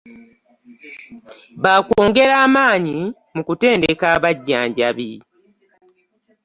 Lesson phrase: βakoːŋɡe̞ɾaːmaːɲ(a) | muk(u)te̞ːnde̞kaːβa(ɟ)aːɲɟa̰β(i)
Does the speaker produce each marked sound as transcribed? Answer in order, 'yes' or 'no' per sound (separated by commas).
no, yes, no, yes